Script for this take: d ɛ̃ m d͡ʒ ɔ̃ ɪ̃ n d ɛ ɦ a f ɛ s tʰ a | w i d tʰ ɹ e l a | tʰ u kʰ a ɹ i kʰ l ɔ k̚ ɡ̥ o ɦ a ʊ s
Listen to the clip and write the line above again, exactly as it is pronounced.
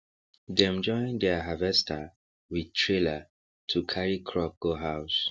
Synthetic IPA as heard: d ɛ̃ m d͡ʒ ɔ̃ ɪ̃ n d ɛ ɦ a v ɛ s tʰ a | w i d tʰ ɹ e l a | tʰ u kʰ a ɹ i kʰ ɹ ɔ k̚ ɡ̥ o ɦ a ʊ s